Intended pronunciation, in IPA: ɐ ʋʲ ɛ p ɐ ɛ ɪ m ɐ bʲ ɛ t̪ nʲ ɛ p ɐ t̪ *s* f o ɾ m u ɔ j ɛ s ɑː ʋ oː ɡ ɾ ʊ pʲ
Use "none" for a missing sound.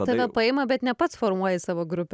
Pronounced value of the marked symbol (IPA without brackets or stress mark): s